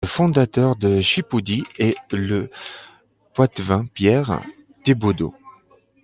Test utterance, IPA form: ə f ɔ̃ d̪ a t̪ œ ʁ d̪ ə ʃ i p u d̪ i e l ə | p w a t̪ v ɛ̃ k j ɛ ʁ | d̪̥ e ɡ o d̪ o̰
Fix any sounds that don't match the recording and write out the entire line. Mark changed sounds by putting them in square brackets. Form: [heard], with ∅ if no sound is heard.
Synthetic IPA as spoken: ə f ɔ̃ d̪ a t̪ œ ʁ d̪ ə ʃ i p u d̪ i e l ə | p w a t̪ v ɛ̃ [p] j ɛ ʁ | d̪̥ e [b] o d̪ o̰

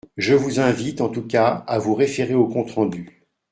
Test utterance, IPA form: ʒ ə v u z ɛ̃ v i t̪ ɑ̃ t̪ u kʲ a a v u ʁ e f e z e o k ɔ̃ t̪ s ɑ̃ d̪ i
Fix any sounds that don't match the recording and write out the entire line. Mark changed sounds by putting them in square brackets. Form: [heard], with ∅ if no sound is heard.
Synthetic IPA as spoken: ʒ ə v u z ɛ̃ v i t̪ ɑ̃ t̪ u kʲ a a v u ʁ e f e [ʁ] e o k ɔ̃ t̪ [χ] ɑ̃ d̪ [y]

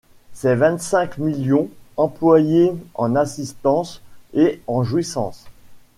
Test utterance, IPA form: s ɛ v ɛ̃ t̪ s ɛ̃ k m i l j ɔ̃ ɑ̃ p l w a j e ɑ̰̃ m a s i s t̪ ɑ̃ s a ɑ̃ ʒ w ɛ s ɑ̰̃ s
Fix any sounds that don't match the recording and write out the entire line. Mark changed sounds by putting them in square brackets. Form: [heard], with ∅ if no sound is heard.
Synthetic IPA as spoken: s ɛ v ɛ̃ t̪ s ɛ̃ k m i l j ɔ̃ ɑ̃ p l w a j e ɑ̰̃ [n] a s i s t̪ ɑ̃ s [e] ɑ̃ ʒ w [i] s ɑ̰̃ s

